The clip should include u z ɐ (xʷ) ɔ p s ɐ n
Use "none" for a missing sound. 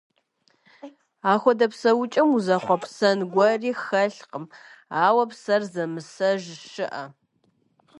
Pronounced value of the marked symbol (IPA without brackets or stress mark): χʷ